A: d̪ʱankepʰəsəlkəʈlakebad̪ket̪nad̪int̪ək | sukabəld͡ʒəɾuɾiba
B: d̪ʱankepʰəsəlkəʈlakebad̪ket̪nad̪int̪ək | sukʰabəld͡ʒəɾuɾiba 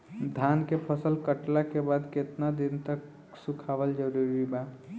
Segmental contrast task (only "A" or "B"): B